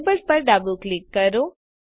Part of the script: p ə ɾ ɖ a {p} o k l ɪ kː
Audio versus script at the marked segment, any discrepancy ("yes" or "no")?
yes